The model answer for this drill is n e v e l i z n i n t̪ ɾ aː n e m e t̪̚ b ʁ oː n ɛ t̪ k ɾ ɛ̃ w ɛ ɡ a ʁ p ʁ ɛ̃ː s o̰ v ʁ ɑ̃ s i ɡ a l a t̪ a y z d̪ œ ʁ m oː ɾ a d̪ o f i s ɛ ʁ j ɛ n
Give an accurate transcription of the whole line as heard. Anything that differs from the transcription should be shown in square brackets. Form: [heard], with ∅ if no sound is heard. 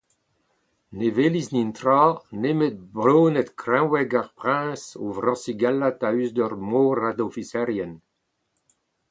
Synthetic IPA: n e v e l i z n i n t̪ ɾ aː n e m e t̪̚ b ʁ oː n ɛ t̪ k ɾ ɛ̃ w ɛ ɡ a ʁ p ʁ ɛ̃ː s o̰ v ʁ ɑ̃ s i ɡ a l a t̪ a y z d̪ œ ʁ m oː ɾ a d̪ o f i s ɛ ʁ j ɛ n